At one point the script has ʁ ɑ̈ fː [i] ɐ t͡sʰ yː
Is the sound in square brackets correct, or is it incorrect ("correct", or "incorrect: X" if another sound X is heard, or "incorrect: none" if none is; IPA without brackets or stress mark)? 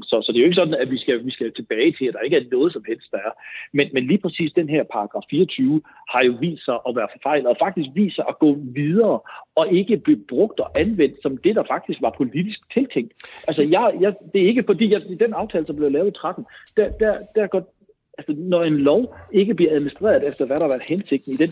incorrect: iː